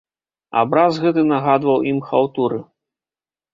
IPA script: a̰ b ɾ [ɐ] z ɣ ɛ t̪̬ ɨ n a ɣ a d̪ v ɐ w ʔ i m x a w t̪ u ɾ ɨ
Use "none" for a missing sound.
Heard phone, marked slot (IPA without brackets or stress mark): a